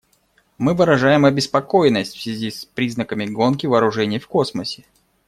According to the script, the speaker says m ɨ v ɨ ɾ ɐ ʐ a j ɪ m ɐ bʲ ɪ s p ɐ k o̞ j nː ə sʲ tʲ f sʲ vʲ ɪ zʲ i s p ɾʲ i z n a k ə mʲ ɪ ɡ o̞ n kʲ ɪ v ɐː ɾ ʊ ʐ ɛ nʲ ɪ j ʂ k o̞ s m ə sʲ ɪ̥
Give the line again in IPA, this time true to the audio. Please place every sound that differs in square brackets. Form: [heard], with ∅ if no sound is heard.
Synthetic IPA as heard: m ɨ v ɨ ɾ ɐ ʐ a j ɪ m ɐ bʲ ɪ s p ɐ k o̞ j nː ə sʲ tʲ f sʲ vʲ ɪ zʲ i s p ɾʲ i z n [ə] k ə mʲ ɪ ɡ o̞ n kʲ ɪ v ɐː ɾ ʊ ʐ ɛ nʲ ɪ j [f] k o̞ s m ə sʲ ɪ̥